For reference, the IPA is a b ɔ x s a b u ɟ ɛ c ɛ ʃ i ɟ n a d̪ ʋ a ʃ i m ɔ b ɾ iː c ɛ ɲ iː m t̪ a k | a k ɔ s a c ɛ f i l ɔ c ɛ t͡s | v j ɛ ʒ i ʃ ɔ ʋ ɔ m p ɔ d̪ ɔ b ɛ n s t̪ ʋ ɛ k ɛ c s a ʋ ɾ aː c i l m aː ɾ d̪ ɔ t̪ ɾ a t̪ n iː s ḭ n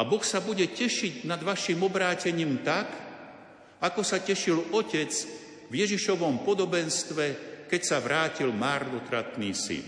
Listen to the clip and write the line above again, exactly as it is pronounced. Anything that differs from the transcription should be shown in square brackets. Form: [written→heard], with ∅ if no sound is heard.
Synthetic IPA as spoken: a b ɔ x s a b u ɟ ɛ c ɛ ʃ i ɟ n a d̪ ʋ a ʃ i m ɔ b ɾ [iː→aː] c ɛ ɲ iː m t̪ a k | a k ɔ s a c ɛ [f→ʃ] i l ɔ c ɛ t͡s | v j ɛ ʒ i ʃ ɔ ʋ ɔ m p ɔ d̪ ɔ b ɛ n s t̪ ʋ ɛ k ɛ c s a ʋ ɾ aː c i l m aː ɾ d̪ ɔ t̪ ɾ a t̪ n iː s ḭ n